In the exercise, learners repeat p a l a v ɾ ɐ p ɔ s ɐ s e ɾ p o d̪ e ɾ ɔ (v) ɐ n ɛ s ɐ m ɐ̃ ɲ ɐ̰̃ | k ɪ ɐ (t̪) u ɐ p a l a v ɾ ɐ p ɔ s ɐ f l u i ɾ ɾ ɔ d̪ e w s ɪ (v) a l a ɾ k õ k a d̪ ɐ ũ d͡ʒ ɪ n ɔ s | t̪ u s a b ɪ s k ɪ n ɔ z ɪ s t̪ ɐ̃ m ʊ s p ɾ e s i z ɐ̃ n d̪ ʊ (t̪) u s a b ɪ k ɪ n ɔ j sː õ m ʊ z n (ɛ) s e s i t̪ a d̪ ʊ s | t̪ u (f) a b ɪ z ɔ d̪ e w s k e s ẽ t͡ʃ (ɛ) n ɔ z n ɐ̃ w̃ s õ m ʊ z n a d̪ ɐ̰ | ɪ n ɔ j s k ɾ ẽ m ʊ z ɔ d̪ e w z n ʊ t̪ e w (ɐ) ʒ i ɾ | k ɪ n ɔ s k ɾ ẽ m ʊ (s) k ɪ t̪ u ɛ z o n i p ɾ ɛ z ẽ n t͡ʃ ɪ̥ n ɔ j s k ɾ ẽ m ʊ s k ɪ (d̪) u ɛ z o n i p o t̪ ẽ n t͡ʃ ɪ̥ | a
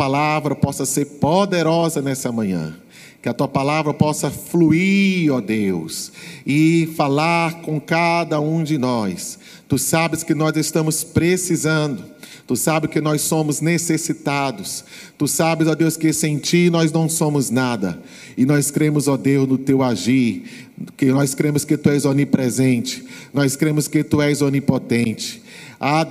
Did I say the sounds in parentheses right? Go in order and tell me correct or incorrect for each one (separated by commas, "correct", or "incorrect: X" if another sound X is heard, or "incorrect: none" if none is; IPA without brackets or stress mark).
incorrect: z, correct, incorrect: f, correct, incorrect: e, incorrect: s, incorrect: i, incorrect: a, correct, incorrect: t̪